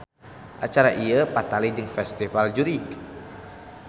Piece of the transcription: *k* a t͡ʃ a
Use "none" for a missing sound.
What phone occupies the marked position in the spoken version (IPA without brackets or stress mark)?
ʔ